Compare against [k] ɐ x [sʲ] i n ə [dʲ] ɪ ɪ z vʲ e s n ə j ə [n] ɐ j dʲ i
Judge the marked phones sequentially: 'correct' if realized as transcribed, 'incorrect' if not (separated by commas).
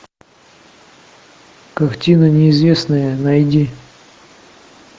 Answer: correct, incorrect, incorrect, correct